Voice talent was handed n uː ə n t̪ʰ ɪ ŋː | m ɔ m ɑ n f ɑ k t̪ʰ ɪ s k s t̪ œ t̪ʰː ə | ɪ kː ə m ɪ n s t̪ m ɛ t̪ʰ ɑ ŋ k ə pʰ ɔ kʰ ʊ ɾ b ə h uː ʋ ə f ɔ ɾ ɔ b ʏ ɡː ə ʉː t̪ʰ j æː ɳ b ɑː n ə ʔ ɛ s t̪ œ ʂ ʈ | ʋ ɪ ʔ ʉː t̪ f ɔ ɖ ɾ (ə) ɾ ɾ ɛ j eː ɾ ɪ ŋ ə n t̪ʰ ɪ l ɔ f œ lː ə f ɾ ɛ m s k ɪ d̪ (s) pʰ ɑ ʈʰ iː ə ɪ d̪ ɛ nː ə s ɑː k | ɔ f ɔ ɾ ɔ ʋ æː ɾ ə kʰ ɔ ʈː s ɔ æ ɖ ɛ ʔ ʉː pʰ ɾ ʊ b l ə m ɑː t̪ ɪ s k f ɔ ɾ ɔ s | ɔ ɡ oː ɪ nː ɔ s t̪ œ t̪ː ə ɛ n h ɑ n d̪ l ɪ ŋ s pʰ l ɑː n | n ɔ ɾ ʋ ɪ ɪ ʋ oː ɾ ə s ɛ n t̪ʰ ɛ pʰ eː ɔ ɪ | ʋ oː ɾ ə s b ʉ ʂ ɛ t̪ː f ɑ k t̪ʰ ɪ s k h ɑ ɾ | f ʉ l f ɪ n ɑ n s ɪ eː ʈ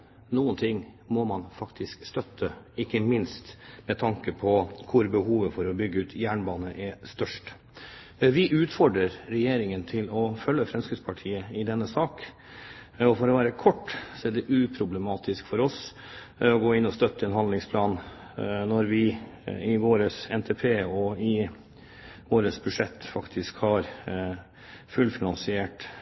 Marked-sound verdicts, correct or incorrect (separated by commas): correct, correct